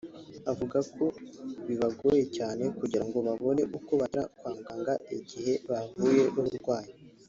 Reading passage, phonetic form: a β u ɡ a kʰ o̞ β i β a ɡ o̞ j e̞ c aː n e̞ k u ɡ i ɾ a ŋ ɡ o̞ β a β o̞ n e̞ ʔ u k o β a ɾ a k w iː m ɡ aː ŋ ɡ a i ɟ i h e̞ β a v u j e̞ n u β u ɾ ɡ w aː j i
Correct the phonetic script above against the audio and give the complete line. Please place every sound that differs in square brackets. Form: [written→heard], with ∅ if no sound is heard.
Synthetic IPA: a [β→v] u ɡ a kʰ o̞ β i β a ɡ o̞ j e̞ c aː n e̞ k u [ɡ→ɟ] i ɾ a ŋ ɡ o̞ β a β o̞ n e̞ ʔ u k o β a ɾ a k w [iː→aː] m ɡ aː ŋ ɡ a i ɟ i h e̞ β a v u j e̞ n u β u ɾ ɡ w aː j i